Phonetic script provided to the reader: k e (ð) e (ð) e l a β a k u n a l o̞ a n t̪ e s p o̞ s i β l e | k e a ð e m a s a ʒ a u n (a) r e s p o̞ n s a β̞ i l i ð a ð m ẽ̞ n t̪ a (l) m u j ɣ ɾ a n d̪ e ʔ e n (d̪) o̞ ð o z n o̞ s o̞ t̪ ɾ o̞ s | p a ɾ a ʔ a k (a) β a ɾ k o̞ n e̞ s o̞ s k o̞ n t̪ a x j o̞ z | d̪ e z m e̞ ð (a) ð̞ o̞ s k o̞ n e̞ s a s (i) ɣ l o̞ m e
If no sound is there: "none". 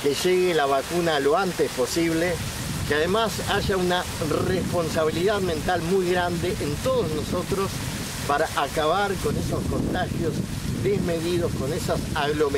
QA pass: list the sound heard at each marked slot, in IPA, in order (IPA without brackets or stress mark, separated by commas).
ʒ, ɣ, a, l, t̪, a, i, a